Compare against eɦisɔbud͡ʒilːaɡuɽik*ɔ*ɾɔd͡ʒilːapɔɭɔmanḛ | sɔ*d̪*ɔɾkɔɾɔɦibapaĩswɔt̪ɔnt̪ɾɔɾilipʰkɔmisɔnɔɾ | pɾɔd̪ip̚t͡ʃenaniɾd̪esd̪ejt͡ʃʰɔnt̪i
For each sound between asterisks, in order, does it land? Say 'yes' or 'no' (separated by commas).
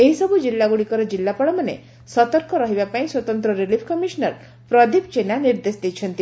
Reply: yes, no